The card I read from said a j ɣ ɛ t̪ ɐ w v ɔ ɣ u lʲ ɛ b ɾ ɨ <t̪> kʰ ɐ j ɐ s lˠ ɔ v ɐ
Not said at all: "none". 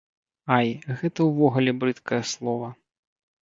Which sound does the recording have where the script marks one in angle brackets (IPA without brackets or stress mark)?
t̪